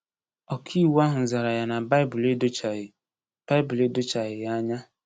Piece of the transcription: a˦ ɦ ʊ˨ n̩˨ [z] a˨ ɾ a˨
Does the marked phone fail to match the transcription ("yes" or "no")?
no